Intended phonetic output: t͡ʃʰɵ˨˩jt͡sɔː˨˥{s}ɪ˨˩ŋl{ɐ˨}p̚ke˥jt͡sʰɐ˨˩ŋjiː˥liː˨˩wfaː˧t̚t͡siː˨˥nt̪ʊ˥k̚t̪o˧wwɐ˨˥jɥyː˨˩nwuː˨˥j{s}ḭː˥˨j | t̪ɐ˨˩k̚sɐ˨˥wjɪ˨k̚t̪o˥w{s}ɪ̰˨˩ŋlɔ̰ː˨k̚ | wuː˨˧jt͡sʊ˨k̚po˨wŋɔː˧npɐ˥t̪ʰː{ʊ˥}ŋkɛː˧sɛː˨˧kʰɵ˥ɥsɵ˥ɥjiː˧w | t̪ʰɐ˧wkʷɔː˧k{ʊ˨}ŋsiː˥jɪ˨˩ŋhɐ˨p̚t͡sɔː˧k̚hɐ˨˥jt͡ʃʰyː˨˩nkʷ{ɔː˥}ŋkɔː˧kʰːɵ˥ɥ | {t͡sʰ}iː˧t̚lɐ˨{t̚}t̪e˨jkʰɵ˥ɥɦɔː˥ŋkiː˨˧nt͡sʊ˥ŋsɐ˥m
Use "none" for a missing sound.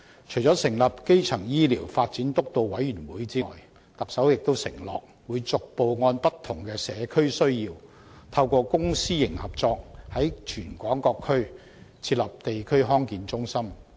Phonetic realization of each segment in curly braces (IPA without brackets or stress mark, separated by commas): s, ɐ˨, t͡s, s, ʊ˨˩, ʊ˥, ɔː˨˥, t͡sʰ, p̚